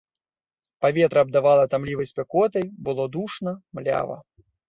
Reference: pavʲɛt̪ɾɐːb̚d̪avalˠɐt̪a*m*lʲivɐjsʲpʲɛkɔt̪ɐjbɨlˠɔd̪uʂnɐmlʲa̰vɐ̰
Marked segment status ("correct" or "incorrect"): correct